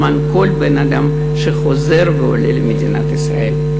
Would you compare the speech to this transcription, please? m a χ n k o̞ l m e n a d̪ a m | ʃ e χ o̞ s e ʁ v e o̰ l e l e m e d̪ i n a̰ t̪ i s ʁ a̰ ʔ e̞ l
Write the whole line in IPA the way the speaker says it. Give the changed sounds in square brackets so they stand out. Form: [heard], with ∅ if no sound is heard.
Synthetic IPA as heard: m a [∅] n k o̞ l [b] e n a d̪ a m | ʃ e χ o̞ [z] e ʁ v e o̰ l e l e m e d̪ i n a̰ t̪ i s ʁ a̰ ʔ e̞ l